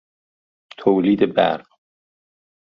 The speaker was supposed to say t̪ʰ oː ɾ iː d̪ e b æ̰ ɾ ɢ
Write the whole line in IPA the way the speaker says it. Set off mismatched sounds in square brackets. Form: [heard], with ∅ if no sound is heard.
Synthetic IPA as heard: t̪ʰ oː [l] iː d̪ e b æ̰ ɾ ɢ